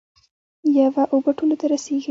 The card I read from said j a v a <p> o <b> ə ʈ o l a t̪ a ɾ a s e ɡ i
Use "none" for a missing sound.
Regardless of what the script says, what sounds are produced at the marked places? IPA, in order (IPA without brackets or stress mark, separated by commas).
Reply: ʔ, b